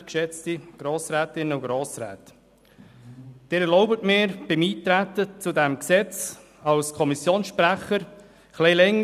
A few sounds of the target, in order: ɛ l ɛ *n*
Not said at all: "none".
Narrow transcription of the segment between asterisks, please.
ŋ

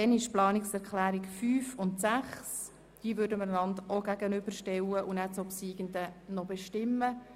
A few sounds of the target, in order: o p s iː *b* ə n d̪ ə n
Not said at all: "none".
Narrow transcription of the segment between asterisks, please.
ɡ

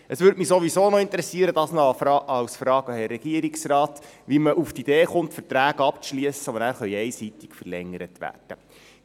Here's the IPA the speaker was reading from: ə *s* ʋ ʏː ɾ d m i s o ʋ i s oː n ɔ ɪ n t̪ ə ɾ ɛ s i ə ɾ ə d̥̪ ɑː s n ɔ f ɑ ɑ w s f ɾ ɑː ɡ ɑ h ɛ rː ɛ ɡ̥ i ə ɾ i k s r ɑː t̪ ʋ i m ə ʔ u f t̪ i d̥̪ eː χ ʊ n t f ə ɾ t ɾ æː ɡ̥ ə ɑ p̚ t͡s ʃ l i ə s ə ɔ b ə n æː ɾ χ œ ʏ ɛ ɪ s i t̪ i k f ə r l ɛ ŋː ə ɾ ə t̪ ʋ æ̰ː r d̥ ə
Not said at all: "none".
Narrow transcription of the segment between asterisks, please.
s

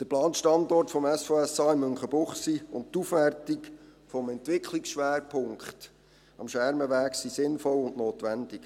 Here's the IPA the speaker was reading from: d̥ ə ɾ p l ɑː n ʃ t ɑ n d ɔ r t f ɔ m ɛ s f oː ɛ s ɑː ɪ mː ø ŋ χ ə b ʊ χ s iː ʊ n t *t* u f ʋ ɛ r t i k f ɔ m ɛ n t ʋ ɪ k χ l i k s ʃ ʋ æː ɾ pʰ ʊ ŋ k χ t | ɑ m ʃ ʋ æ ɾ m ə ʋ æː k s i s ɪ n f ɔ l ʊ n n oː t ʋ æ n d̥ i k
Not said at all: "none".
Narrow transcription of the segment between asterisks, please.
t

